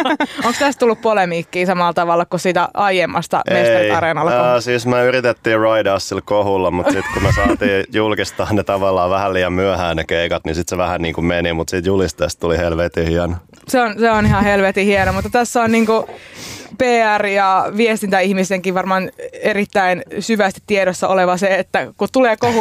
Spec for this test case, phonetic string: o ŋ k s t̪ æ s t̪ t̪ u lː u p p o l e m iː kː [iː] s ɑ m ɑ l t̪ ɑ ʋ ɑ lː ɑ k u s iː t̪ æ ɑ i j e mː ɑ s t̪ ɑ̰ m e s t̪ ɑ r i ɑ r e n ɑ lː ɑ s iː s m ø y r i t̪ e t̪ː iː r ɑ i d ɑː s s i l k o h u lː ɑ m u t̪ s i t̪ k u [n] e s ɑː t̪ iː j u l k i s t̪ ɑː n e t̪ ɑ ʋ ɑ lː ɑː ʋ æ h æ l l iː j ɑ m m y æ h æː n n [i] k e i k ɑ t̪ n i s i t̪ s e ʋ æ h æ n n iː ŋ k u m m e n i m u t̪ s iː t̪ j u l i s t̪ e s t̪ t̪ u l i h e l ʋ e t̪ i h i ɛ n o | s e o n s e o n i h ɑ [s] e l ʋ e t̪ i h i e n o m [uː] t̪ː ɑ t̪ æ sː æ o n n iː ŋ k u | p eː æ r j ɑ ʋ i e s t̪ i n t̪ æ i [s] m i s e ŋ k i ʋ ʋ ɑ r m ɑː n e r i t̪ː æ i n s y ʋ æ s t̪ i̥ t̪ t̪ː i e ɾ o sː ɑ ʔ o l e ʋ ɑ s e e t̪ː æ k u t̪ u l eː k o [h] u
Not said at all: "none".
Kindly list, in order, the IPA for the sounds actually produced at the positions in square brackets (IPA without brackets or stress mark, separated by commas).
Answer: iː, m, e, h, u, h, h